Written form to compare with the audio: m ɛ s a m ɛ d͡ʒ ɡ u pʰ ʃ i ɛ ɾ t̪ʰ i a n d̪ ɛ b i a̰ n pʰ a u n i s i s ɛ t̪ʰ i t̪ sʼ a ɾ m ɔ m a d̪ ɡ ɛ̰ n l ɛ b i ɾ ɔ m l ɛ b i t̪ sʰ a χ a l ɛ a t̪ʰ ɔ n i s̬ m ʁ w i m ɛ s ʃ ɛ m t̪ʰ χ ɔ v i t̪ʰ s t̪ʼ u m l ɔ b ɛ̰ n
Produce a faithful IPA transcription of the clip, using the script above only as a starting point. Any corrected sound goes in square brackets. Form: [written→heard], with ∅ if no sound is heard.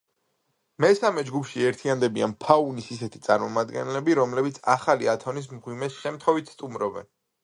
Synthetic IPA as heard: m ɛ s a m ɛ d͡ʒ ɡ u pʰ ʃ i ɛ ɾ t̪ʰ i a n d̪ ɛ b i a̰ n pʰ a u n i s i s ɛ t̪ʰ i t̪ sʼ a ɾ m ɔ m a d̪ ɡ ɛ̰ n l ɛ b i ɾ ɔ m l ɛ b i t̪ sʰ a χ a l [ɛ→i] a t̪ʰ ɔ n i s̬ m ʁ w i m ɛ s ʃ ɛ m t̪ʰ χ ɔ v i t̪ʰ s t̪ʼ u m [l→ɾ] ɔ b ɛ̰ n